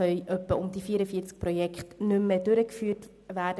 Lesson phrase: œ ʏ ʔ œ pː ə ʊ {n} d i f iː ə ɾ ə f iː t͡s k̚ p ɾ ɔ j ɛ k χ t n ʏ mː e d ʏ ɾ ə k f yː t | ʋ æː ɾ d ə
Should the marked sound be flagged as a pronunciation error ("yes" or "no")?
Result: yes